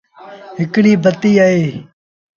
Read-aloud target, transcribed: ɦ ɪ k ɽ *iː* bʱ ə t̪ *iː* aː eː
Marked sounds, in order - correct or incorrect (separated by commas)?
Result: correct, correct